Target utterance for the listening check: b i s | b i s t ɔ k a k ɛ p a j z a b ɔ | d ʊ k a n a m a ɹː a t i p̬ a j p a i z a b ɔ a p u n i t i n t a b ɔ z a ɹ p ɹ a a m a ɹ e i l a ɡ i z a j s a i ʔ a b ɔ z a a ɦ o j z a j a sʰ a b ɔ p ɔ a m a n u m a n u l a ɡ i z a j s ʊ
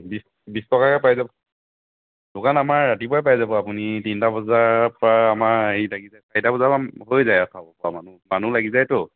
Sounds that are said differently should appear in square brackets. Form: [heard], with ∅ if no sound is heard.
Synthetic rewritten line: b i s | b i s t ɔ k a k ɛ p a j z a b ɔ | d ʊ k a n a m a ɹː a t i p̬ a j p a [j] z a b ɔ a p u n i t i n t a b ɔ z a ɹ p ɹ a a m a ɹ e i l a ɡ i z a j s a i [t] a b ɔ z a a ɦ o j z a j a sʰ a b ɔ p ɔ a m a n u m a n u l a ɡ i z a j [t] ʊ